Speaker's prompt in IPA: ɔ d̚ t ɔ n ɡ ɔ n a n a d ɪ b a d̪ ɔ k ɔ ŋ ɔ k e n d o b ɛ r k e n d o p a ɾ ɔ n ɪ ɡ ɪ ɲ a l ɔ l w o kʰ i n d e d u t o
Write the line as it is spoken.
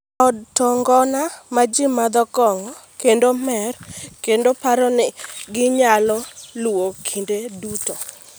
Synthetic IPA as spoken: ɔ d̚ t ɔ ŋ ɡ ɔ n a m a d͡ʒ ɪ m a d̪ ɔ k ɔ ŋ ɔ k e n d o m ɛ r k e n d o p a ɾ ɔ n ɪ ɡ ɪ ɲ a l ɔ l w o kʰ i n d e d u t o